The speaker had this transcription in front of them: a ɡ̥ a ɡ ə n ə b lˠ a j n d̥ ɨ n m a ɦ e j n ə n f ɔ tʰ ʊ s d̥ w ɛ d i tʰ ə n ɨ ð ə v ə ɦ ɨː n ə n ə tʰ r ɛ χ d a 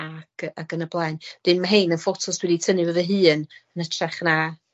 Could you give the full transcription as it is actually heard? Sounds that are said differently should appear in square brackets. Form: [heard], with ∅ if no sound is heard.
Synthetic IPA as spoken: a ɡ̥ a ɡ ə n ə b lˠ a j n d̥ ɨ n m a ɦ e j n ə n f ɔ tʰ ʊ s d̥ w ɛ d i tʰ ə n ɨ [v] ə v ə ɦ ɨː n ə n ə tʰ r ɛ χ [n] a